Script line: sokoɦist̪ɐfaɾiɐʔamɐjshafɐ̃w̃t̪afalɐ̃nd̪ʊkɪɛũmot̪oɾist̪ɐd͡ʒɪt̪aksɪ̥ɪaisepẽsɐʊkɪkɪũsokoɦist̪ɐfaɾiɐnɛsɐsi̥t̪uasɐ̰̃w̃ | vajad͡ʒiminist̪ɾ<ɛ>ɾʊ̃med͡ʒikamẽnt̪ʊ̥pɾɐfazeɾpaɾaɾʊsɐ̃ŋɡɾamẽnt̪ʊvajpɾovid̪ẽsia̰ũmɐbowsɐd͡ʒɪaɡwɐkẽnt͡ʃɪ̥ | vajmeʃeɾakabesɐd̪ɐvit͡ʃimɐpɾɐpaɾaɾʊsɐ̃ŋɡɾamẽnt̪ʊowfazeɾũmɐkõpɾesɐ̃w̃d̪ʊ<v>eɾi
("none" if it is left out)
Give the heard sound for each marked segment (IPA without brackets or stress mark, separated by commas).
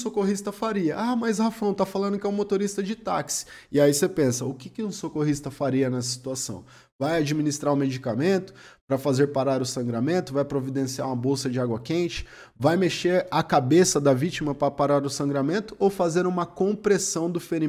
a, f